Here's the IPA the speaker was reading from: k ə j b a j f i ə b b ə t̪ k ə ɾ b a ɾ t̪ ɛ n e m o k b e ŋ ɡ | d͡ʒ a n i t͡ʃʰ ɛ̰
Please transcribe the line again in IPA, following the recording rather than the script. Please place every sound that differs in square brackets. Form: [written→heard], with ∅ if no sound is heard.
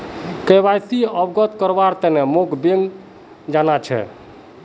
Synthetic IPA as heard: k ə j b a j [f→s] i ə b [b→ɡ] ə t̪ k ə ɾ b a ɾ t̪ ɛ n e m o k b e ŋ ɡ | d͡ʒ a n [i→a] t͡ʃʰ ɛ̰